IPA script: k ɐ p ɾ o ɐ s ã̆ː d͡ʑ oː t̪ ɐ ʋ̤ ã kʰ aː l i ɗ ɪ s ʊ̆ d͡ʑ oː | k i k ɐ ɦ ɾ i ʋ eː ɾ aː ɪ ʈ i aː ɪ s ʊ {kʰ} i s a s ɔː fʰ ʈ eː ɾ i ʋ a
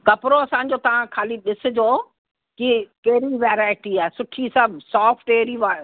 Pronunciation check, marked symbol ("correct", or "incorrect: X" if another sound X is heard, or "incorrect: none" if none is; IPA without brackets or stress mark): incorrect: ʈʰ